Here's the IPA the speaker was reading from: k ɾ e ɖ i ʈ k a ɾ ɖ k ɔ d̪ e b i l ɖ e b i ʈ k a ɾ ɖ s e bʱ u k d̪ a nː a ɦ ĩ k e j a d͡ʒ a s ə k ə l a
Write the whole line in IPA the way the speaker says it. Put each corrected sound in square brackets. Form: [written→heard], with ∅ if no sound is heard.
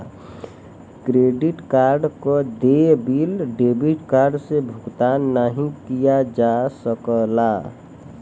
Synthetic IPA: k ɾ e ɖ i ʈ k a ɾ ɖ k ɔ d̪ e b i l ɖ e b i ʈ k a ɾ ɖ s e bʱ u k [d̪→t̪] a nː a ɦ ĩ k [e→i] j a d͡ʒ a s ə k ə l a